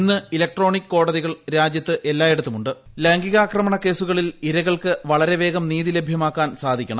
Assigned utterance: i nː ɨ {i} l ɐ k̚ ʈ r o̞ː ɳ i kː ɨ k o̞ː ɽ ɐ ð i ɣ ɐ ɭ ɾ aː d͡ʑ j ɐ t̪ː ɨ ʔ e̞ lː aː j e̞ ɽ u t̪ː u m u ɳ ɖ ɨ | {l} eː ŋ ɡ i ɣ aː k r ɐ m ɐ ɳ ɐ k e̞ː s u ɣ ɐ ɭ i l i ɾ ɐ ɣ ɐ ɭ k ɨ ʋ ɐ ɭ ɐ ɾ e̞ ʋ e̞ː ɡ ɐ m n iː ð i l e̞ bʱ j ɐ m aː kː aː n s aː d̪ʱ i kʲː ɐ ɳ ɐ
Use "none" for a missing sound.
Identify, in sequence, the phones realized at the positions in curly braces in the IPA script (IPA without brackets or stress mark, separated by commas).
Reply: i, l